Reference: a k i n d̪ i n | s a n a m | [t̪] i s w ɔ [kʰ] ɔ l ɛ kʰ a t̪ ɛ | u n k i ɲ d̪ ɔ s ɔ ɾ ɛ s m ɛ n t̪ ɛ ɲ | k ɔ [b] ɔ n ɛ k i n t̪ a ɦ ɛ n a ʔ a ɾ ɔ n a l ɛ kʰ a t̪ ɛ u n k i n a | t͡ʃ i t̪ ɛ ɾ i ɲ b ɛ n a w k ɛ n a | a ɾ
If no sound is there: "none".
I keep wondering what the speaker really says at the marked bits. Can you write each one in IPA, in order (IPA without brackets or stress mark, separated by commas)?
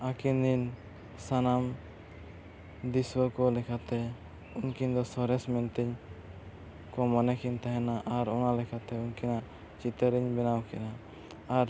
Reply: d̪, k, m